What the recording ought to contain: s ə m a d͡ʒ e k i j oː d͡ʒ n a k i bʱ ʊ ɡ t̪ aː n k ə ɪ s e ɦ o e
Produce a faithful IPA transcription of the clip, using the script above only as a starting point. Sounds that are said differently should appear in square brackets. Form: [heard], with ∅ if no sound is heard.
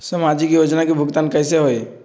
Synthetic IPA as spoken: s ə m a d͡ʒ [i] k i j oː d͡ʒ n a k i bʱ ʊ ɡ t̪ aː n k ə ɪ s e ɦ o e